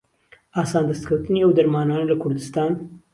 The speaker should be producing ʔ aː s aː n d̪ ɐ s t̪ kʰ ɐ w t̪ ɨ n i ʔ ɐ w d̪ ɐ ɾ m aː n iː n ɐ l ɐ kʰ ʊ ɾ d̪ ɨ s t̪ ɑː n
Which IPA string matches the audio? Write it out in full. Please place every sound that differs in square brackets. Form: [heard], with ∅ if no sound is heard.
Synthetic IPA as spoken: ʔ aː s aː n d̪ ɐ s t̪ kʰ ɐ w t̪ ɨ n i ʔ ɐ w d̪ ɐ ɾ m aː n [aː] n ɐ l ɐ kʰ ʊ ɾ d̪ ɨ s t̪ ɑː n